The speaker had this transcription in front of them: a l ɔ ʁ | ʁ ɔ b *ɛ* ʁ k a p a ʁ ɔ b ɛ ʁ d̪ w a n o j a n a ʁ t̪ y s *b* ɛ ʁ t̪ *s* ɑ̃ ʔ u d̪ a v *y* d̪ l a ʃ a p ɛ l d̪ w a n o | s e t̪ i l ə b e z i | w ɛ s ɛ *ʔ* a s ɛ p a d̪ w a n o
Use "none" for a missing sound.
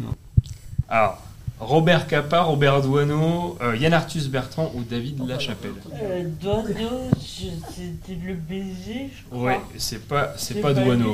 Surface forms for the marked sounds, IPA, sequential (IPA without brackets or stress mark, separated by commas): ɛ, b, χ, i, p